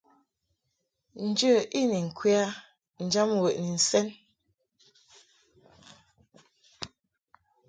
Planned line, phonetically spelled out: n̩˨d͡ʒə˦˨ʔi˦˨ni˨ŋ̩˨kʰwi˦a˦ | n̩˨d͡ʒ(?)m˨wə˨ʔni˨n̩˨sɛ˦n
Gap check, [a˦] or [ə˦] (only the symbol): a˦